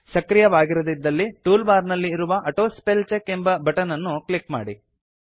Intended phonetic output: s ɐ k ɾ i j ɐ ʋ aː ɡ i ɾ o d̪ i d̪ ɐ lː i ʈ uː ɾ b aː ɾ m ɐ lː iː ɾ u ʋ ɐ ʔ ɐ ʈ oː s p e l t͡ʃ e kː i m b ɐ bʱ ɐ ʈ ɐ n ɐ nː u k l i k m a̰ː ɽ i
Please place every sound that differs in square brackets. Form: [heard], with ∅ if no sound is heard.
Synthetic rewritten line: s ɐ k ɾ i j ɐ ʋ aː ɡ i ɾ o d̪ i [d̪ː] ɐ lː i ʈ uː [l] b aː ɾ [n] ɐ lː iː ɾ u ʋ ɐ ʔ ɐ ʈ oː s p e l t͡ʃ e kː [e] m b ɐ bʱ ɐ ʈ ɐ n ɐ nː u k l i k m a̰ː ɽ i